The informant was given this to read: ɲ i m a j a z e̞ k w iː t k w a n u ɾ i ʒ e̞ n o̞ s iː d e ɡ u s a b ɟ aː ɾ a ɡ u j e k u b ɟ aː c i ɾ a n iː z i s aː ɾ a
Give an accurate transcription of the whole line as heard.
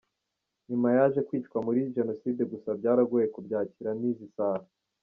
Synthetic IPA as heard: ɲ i m a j a ʒ e̞ k w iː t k w a m u ɾ i ʒ e̞ n o̞ s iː d e ɡ u s a b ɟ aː ɾ a ɡ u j e k u b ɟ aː c i ɾ a n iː z i s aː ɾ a